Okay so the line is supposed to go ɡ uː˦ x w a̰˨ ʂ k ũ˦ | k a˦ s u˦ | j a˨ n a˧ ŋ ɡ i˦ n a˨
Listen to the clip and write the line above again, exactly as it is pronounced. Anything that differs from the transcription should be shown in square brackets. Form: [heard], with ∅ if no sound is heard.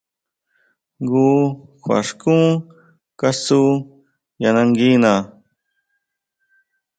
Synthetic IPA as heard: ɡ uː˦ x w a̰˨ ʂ k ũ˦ | k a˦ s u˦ | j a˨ n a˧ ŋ ɡ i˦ n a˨